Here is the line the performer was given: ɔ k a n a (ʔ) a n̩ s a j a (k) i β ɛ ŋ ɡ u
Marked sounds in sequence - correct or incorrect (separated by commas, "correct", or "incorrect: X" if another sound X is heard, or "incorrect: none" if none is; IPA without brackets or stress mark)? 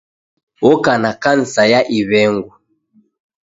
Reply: incorrect: k, incorrect: ʔ